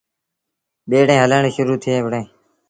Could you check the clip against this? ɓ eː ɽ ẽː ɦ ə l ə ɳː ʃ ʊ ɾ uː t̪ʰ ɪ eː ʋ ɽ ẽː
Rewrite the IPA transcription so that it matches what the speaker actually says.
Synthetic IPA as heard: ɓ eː ɽ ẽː ɦ ə l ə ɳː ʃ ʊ ɾ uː t̪ʰ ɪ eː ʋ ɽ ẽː